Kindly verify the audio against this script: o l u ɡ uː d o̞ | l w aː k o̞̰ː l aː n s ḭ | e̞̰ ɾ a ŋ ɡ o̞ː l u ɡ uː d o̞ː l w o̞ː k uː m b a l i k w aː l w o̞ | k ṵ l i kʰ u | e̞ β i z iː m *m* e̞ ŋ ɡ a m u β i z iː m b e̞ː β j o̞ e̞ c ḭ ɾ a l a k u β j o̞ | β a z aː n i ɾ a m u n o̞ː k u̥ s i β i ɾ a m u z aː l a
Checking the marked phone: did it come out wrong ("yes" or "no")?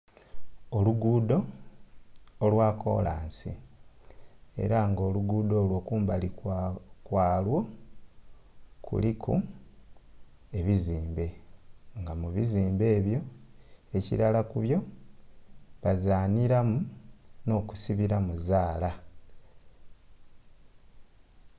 yes